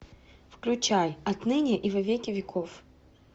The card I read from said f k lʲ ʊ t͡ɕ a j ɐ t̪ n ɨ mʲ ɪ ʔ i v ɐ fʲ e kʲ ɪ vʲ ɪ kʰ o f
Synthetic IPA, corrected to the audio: f k lʲ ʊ t͡ɕ a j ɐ t̪ n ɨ nʲ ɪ ʔ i v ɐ vʲ e kʲ ɪ vʲ ɪ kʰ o f